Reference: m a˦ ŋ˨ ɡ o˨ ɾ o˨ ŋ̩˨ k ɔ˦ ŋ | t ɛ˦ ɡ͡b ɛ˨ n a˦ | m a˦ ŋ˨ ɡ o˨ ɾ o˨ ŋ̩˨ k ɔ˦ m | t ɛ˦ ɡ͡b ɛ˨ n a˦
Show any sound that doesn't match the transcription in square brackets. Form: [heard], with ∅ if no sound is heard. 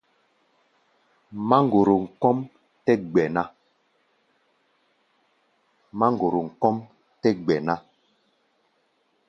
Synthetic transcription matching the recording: m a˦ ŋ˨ ɡ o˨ ɾ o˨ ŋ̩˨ k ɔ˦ [m] | t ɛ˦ ɡ͡b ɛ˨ n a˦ | m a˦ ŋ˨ ɡ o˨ ɾ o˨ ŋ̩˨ k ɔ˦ m | t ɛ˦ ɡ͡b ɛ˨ n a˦

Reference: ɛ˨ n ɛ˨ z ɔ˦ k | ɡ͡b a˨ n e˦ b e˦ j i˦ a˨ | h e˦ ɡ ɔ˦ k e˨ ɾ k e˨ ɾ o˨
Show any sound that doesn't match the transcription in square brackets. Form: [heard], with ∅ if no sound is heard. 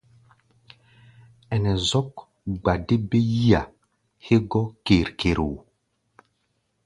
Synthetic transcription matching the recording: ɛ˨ n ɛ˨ z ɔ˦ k | ɡ͡b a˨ [d] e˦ b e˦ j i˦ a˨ | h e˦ ɡ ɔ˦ k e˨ ɾ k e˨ ɾ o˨

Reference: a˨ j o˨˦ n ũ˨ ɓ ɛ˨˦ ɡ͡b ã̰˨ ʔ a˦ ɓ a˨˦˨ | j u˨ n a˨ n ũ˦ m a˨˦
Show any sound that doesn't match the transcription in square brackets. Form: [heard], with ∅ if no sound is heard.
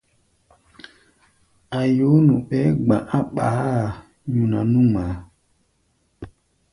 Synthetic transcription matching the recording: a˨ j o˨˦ n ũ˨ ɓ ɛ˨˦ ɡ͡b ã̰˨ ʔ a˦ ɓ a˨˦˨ | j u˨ n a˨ n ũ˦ m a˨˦

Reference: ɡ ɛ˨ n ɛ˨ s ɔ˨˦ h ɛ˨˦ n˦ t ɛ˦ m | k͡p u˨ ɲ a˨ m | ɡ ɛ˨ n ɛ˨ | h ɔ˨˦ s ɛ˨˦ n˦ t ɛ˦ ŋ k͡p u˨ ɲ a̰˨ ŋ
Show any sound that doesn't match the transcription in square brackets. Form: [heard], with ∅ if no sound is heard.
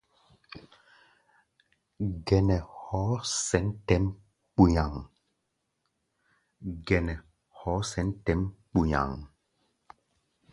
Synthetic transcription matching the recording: ɡ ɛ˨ n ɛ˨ [h] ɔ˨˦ [s] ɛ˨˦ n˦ t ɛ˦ m | k͡p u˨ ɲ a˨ [ŋ] | ɡ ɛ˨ n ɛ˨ | h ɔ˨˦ s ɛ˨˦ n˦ t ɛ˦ [m] k͡p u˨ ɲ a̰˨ ŋ

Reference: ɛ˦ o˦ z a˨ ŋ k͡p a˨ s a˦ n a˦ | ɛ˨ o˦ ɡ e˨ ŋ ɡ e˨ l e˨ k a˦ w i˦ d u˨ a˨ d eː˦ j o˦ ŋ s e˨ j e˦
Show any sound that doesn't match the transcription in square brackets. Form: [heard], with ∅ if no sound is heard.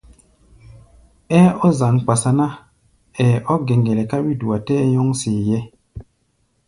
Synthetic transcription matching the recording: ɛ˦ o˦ z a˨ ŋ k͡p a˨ s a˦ n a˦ | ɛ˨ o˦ ɡ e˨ ŋ ɡ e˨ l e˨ k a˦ w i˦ d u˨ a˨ [t] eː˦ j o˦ ŋ s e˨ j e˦

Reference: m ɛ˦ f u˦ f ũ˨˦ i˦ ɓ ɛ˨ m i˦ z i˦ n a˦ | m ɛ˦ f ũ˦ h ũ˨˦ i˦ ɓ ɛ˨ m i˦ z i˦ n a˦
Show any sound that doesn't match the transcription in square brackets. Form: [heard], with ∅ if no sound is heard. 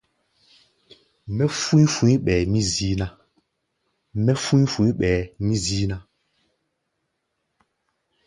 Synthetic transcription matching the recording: m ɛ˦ f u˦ f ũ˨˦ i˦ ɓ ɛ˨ m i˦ z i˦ n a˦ | m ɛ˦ f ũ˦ [f] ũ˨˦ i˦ ɓ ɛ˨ m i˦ z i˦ n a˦

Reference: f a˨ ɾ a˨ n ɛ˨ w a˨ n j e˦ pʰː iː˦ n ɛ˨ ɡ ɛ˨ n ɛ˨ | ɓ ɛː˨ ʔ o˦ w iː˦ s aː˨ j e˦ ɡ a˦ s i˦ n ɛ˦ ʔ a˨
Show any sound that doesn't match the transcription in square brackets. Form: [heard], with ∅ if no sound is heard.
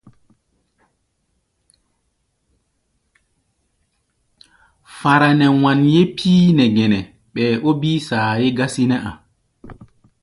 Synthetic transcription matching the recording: f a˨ ɾ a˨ n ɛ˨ w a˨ n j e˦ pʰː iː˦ n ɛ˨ ɡ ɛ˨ n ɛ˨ | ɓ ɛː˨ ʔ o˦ [b] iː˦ s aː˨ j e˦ ɡ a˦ s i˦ n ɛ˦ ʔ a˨

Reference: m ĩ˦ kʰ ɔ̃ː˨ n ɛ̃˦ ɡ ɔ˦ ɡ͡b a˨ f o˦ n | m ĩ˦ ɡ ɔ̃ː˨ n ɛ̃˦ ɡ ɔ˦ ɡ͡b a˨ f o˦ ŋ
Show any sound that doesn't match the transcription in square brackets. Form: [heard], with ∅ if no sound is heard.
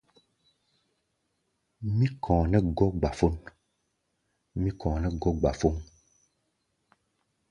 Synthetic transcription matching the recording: m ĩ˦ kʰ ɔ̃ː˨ n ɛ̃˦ ɡ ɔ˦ ɡ͡b a˨ f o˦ n | m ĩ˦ [k] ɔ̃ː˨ n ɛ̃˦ ɡ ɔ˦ ɡ͡b a˨ f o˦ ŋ

